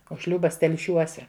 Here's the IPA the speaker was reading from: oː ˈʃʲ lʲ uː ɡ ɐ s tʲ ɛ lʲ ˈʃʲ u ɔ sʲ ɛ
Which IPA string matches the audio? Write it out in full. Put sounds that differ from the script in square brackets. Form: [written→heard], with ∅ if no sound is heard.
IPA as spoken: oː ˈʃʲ lʲ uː [ɡ→b] ɐ s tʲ ɛ lʲ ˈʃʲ u ɔ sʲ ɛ